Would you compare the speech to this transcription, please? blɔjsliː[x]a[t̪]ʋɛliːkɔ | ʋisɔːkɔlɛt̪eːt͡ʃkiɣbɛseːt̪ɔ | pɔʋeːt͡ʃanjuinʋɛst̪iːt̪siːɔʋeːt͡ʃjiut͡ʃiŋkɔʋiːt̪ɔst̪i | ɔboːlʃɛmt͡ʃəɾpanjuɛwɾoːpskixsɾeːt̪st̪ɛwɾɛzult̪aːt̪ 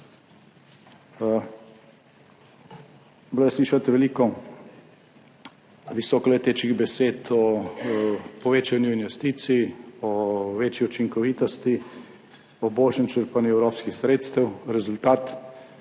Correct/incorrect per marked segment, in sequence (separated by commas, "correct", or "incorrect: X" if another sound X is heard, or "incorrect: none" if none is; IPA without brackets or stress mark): incorrect: ʃ, correct